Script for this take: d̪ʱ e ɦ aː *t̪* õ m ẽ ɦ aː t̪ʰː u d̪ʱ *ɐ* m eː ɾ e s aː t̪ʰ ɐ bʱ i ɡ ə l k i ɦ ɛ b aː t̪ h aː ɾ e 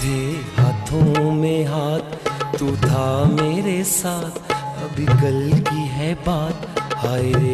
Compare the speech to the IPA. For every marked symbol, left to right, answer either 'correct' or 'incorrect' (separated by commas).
incorrect, incorrect